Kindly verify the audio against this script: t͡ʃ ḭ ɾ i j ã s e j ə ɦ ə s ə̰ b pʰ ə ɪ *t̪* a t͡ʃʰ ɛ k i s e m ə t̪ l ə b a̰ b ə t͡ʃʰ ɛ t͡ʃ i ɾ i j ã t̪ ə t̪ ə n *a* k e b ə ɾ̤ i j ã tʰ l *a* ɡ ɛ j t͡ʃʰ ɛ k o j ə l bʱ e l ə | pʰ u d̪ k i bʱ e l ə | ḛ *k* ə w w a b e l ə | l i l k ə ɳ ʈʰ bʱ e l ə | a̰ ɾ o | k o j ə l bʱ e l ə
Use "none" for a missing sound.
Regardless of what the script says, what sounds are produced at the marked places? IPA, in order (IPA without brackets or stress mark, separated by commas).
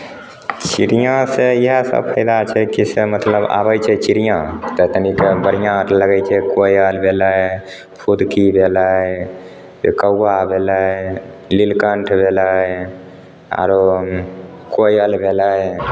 d̪, i, ə, k